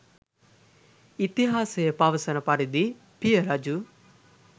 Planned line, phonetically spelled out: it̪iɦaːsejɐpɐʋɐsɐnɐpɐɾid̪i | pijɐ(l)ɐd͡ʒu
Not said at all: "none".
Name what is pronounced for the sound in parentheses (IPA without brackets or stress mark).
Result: ɾ